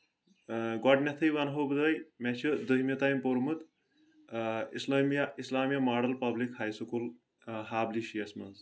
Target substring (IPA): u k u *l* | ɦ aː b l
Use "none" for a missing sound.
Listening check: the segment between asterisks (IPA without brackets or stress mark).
l